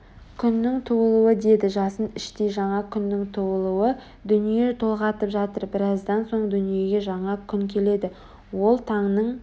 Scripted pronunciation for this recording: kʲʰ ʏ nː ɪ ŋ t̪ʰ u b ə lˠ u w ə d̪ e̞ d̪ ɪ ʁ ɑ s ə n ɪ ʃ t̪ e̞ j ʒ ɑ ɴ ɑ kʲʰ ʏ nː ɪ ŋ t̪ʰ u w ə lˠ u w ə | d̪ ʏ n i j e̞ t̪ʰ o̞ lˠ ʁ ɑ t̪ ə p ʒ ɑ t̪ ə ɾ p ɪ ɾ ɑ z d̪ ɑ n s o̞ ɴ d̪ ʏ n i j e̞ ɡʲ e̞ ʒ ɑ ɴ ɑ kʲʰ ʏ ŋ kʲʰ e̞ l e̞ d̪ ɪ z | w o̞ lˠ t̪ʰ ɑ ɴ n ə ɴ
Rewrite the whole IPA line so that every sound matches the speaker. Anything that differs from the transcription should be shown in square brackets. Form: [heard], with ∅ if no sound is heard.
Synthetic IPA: kʲʰ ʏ nː ɪ ŋ t̪ʰ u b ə lˠ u w ə d̪ e̞ d̪ ɪ [ʒ] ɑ s ə n ɪ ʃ t̪ e̞ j ʒ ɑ ɴ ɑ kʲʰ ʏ nː ɪ ŋ t̪ʰ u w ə lˠ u w ə | d̪ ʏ n i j e̞ t̪ʰ o̞ lˠ ʁ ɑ t̪ ə p ʒ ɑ t̪ ə ɾ [b] ɪ ɾ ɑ z d̪ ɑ n s o̞ ɴ d̪ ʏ n i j e̞ ɡʲ e̞ ʒ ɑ ɴ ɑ kʲʰ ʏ ŋ kʲʰ e̞ l e̞ d̪ ɪ [∅] | w o̞ lˠ t̪ʰ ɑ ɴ n ə ɴ